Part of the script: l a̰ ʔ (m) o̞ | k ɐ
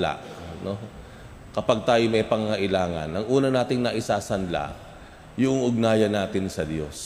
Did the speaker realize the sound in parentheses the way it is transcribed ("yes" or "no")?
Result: no